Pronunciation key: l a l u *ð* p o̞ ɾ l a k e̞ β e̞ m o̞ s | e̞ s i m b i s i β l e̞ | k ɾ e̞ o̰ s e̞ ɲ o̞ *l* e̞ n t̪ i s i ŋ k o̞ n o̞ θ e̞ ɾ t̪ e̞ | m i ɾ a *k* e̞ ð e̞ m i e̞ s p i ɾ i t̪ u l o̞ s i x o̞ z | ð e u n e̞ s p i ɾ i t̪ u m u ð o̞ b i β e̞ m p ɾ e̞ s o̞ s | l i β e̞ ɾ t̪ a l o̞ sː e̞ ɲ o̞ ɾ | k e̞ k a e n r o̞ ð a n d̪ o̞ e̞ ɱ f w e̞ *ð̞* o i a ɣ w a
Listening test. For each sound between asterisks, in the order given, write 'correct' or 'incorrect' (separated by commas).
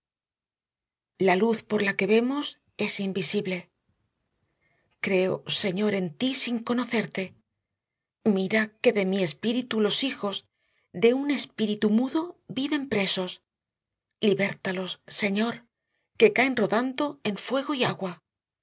incorrect, incorrect, correct, incorrect